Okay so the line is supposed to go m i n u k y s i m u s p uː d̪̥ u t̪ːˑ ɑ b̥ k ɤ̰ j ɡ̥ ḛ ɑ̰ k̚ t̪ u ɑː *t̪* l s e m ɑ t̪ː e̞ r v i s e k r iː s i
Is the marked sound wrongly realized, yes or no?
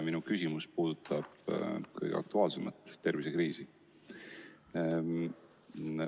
yes